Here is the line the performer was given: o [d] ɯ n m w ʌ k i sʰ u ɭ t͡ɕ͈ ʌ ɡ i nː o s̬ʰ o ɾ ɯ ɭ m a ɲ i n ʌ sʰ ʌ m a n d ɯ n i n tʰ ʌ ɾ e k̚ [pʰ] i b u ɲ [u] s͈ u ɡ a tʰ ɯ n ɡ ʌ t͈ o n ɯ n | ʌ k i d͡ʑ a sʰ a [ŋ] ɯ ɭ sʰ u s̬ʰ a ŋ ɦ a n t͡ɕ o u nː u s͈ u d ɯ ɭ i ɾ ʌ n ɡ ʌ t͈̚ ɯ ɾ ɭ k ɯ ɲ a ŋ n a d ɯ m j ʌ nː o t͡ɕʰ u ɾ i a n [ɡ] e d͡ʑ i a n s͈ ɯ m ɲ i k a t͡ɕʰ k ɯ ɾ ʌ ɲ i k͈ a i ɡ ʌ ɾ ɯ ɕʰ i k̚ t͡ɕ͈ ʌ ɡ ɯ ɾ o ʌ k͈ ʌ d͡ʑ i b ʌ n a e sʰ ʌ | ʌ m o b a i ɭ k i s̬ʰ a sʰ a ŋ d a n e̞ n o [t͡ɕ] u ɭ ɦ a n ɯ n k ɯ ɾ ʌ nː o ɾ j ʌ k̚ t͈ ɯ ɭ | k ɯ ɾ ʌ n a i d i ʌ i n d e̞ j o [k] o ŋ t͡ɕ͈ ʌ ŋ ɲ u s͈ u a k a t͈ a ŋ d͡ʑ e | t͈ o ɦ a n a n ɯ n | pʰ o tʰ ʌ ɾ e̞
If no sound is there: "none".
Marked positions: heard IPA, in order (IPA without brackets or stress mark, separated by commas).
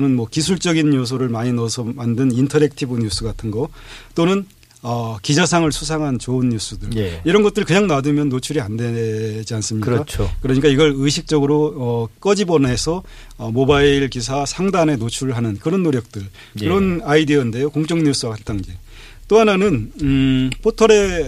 n, tʰ, u, ŋ, d, t͡ɕʰ, k